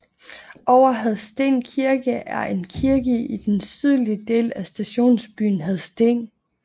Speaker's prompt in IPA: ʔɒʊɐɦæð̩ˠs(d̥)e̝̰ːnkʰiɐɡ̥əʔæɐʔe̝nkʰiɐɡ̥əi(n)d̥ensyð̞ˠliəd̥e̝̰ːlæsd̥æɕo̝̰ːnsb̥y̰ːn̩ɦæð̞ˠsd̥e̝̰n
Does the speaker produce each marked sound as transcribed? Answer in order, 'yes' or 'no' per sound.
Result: yes, no

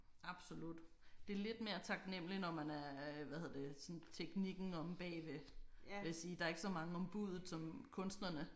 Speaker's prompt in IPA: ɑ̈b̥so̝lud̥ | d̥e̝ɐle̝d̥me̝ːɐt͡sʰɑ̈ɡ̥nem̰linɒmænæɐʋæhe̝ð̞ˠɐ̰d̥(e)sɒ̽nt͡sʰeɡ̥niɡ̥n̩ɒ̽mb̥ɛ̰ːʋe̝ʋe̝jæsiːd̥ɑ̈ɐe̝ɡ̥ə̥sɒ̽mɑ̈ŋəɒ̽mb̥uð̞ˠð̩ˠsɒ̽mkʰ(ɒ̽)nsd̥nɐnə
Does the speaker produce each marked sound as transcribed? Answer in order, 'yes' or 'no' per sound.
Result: yes, no

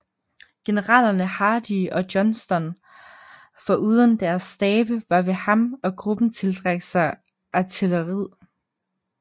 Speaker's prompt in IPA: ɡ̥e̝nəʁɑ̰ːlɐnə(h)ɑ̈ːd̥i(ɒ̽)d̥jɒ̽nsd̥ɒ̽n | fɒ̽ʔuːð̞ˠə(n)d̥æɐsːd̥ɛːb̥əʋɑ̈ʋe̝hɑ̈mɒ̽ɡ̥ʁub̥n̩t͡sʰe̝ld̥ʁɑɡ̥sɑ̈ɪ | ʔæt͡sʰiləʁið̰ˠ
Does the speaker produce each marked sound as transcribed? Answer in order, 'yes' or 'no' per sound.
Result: yes, yes, yes

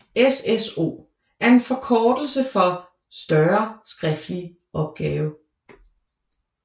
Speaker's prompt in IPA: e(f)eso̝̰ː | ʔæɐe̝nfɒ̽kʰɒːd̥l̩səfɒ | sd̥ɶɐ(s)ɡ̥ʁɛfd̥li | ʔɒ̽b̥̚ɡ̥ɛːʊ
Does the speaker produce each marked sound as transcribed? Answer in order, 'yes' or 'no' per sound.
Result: no, yes

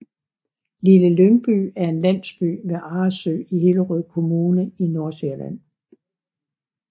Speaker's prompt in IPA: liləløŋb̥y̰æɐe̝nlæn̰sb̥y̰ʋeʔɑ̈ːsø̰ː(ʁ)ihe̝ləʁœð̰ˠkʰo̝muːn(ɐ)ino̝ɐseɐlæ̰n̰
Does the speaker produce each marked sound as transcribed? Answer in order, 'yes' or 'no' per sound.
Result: no, no

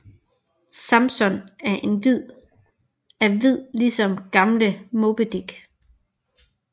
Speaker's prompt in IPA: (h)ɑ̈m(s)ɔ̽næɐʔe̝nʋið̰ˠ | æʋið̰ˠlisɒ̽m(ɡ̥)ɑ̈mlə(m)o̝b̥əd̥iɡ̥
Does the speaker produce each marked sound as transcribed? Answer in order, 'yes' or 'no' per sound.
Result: no, yes, yes, yes

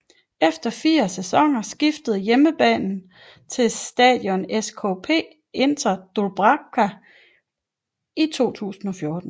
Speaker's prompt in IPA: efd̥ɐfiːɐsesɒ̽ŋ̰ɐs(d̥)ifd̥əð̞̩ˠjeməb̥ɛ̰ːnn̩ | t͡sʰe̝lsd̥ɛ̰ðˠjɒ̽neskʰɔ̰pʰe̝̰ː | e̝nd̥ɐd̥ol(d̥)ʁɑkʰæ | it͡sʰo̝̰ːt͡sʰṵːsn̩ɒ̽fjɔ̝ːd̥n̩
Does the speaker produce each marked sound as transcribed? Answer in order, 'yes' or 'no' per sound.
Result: no, no

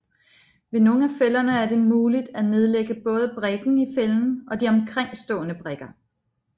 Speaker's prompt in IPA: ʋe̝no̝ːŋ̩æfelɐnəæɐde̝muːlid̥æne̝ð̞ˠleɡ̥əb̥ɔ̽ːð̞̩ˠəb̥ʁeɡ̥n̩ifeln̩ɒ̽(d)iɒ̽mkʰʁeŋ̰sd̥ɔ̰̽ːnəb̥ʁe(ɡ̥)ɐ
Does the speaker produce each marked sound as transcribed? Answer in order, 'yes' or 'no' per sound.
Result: yes, yes

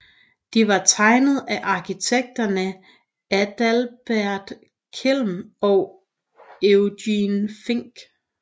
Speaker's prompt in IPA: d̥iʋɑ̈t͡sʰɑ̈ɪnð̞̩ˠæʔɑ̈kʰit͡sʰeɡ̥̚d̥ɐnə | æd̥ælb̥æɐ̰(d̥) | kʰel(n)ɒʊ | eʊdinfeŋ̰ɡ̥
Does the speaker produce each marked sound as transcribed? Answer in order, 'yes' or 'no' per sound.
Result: yes, no

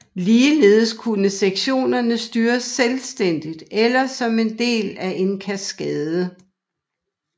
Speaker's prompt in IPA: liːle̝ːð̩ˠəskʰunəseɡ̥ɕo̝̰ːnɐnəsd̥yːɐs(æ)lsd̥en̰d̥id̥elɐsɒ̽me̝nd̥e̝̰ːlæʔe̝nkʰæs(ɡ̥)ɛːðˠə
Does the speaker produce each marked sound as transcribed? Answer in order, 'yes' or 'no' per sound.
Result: no, yes

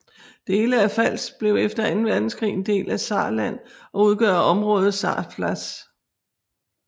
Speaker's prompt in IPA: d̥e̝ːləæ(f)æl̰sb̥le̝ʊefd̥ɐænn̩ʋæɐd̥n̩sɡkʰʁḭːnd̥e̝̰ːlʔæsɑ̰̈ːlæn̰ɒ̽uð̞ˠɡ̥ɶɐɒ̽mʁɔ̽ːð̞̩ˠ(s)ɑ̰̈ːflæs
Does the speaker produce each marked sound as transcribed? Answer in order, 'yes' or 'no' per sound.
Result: yes, yes

